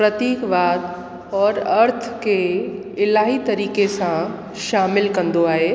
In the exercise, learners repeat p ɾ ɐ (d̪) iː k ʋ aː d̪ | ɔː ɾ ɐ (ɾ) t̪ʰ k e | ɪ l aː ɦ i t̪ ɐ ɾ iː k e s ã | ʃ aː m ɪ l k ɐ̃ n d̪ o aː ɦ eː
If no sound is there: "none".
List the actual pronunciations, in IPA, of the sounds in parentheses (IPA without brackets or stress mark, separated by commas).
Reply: t̪, ɾ